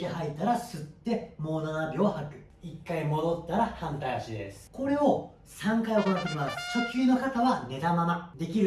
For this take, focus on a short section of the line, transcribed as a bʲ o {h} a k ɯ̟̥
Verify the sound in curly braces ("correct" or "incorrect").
correct